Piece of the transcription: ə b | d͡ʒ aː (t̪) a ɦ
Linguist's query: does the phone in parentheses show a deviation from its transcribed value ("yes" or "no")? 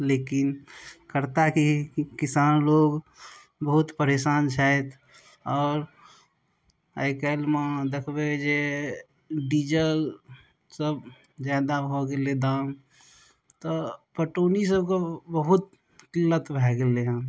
yes